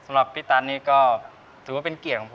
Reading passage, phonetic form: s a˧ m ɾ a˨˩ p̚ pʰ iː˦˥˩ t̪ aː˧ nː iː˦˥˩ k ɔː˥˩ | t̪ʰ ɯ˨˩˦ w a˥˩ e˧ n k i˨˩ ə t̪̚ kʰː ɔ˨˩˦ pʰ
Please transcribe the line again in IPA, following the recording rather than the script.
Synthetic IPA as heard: s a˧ m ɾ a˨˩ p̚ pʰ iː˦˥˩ t̪ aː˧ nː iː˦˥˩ k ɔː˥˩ | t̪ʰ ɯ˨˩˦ w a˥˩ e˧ n k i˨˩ ə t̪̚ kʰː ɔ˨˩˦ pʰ